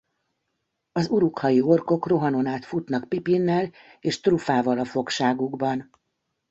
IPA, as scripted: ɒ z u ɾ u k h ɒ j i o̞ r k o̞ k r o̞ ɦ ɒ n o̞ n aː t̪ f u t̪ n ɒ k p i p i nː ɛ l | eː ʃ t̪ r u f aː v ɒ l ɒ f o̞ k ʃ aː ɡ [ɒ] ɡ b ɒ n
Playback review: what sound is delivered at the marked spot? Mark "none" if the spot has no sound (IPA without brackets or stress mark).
u